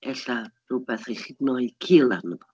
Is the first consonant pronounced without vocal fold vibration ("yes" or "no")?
yes